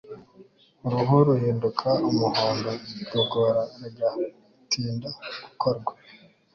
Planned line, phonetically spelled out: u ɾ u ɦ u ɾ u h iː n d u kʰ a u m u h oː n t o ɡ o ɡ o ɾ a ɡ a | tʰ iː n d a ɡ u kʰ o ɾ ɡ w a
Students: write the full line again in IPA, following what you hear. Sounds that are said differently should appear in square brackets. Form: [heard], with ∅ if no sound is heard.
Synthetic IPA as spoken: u ɾ u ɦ u ɾ u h iː n d u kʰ a u m u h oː n [d] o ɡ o ɡ o ɾ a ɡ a | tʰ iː n d a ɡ u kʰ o ɾ ɡ w a